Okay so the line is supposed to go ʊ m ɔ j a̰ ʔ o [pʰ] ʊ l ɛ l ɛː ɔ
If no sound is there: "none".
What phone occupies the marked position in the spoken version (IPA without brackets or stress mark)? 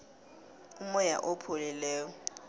pʰ